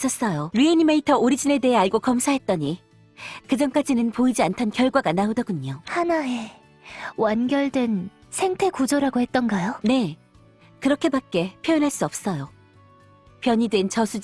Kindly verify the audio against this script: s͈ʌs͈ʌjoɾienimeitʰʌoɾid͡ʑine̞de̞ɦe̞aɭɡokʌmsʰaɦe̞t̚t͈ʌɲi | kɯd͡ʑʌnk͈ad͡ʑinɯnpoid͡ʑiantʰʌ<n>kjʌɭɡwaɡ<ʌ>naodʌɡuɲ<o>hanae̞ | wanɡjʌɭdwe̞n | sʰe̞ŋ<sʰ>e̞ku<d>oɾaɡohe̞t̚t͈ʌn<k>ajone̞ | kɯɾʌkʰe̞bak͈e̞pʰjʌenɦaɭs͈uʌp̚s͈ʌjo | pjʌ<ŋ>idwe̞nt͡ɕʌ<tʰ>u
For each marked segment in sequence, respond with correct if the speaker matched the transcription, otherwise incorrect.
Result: correct, incorrect: a, correct, incorrect: tʰ, incorrect: d͡ʑ, incorrect: ɡ, incorrect: ɲ, incorrect: sʰ

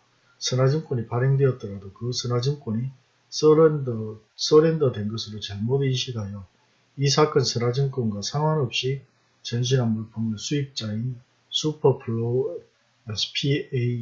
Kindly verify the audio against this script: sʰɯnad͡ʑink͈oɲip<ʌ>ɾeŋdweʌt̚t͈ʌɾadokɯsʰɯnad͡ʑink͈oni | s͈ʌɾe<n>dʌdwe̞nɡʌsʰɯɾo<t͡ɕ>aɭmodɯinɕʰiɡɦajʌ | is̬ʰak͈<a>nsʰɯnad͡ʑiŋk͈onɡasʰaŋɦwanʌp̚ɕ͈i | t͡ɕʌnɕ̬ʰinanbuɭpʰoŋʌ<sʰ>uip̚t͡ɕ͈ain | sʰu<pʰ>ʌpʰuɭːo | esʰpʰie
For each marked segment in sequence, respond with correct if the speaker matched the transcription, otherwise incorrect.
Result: incorrect: a, correct, correct, incorrect: ʌ, correct, correct

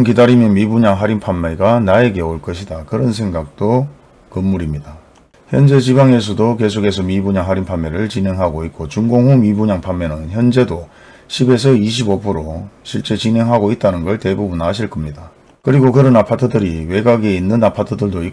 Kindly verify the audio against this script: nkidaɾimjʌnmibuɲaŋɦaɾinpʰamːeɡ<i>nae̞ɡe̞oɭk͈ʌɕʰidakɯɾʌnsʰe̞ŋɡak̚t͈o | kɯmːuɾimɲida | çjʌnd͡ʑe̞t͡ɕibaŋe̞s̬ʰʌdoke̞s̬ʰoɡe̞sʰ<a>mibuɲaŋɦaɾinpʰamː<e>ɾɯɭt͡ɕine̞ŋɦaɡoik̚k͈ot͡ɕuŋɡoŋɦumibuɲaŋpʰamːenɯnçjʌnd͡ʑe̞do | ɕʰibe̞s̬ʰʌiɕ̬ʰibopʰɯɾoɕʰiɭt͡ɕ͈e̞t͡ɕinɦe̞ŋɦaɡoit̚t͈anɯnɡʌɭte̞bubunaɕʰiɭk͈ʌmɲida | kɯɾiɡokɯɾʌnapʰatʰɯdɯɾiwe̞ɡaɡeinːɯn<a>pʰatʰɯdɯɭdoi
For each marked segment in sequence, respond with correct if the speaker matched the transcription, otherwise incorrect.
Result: incorrect: a, incorrect: ʌ, correct, correct

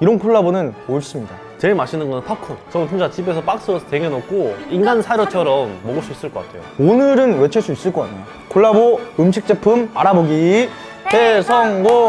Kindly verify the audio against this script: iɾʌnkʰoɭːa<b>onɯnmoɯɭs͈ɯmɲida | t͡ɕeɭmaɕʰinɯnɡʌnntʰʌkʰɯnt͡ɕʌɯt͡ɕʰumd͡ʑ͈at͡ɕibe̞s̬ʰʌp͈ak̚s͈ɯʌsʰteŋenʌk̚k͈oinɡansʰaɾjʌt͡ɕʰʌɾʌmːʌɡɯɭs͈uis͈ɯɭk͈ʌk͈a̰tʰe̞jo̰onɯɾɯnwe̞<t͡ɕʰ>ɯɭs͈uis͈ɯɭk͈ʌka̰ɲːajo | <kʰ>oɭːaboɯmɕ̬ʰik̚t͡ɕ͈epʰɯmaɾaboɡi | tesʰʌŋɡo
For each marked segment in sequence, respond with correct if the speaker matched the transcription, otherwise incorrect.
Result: correct, correct, correct

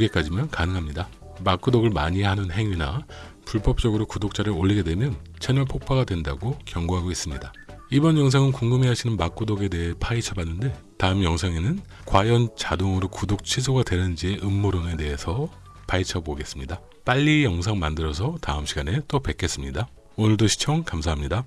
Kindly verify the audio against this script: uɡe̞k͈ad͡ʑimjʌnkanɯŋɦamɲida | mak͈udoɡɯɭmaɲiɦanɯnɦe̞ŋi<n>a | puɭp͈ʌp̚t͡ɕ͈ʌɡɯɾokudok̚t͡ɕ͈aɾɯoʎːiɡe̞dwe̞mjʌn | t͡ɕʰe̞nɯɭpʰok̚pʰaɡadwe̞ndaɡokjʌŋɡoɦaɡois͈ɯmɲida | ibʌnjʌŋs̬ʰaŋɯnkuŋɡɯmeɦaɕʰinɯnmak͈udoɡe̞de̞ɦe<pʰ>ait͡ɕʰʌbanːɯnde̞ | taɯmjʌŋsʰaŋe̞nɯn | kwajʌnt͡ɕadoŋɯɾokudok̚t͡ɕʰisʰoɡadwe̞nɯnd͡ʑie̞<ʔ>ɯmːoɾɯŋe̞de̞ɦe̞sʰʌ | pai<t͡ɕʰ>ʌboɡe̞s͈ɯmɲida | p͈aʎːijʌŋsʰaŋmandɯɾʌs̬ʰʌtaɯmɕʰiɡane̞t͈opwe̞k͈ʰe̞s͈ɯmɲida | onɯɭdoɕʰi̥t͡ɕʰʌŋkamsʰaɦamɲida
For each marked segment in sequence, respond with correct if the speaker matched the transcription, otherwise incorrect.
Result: correct, correct, correct, correct

